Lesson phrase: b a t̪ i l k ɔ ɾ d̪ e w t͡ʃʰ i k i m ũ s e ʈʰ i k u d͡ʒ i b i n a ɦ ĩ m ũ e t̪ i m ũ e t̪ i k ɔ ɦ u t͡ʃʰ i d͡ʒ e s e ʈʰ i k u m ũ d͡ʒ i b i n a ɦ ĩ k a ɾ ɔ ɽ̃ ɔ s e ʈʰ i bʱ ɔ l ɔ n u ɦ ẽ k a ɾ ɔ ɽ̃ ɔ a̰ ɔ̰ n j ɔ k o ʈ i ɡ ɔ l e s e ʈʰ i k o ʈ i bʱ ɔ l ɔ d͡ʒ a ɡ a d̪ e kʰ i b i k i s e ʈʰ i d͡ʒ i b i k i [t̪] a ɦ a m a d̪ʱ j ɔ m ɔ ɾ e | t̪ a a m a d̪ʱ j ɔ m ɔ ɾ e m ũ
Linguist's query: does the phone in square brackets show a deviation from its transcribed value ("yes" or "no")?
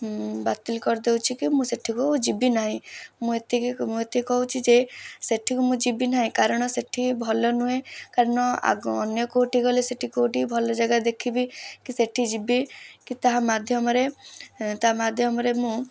no